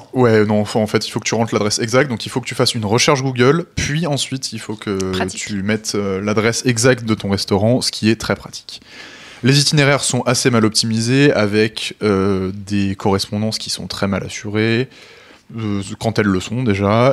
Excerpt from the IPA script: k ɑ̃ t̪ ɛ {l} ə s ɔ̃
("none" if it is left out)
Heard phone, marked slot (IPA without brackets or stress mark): lː